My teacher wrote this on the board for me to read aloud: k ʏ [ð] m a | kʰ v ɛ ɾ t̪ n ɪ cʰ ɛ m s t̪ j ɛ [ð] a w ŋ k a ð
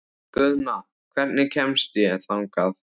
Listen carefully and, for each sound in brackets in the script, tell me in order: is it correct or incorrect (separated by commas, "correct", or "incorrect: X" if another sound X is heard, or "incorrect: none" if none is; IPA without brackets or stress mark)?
correct, incorrect: θ